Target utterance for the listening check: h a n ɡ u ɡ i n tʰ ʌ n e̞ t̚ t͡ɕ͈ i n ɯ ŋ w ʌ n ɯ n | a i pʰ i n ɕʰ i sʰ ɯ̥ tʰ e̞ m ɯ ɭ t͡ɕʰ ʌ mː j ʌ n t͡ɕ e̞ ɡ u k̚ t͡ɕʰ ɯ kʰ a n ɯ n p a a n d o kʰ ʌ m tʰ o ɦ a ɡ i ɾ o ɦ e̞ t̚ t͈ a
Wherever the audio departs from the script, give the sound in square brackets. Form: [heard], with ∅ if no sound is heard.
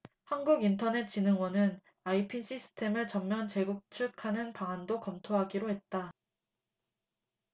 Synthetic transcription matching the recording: h a n ɡ u ɡ i n tʰ ʌ n e̞ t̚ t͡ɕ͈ i n ɯ ŋ w ʌ n ɯ n | a i pʰ i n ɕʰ i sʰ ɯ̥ tʰ e̞ m ɯ ɭ [t͡ɕ] ʌ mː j ʌ n t͡ɕ e̞ ɡ u k̚ t͡ɕʰ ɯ kʰ a n ɯ n p a a n d o [k] ʌ m tʰ o ɦ a ɡ i ɾ o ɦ e̞ t̚ t͈ a